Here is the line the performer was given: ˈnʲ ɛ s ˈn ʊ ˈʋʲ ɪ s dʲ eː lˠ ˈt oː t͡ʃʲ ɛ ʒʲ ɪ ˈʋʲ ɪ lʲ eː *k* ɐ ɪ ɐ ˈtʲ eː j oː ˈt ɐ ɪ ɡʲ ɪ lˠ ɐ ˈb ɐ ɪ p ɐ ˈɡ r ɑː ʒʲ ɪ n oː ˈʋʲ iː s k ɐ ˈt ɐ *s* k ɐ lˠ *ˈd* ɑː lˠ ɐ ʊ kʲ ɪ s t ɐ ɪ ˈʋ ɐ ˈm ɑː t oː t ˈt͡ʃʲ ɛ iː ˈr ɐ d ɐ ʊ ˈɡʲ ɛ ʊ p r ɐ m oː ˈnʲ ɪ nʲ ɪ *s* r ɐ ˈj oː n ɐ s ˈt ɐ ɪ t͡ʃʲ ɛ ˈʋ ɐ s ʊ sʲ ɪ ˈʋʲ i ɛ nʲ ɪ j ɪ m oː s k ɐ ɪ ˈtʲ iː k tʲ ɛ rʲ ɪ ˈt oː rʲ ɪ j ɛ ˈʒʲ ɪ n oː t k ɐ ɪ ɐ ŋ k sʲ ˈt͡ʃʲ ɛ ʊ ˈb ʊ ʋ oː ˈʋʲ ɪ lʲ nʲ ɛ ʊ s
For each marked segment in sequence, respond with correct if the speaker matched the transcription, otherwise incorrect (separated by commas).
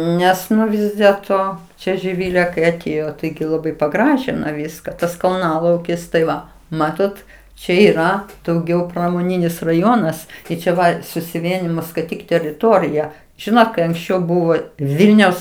correct, correct, incorrect, correct